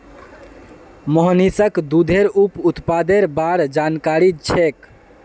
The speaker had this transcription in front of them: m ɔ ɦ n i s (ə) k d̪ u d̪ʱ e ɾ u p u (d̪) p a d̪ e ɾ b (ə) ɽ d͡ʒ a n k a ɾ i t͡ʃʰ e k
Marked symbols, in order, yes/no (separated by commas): yes, no, no